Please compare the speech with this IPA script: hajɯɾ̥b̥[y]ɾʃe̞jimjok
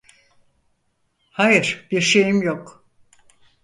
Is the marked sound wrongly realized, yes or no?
yes